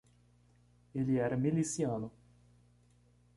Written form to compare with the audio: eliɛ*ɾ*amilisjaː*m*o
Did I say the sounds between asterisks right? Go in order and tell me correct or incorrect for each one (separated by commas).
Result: correct, incorrect